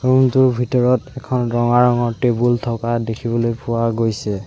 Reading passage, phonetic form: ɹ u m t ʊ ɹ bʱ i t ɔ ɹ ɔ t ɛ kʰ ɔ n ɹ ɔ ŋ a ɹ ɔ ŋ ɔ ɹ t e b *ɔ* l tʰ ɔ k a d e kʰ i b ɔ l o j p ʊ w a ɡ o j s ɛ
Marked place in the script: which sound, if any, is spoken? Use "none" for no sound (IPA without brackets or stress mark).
u